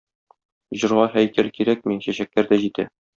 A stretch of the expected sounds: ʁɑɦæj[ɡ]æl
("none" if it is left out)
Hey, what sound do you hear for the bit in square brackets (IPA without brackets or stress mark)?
k